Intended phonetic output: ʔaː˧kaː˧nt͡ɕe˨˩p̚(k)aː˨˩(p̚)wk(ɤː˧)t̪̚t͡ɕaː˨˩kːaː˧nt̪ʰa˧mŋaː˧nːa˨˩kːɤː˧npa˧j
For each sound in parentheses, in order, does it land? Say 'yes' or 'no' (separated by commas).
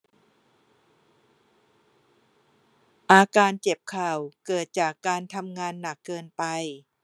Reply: no, no, no